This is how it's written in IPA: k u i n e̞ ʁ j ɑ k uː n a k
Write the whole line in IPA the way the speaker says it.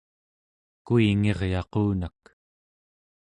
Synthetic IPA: k u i ŋ e̞ ʁ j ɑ q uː n a k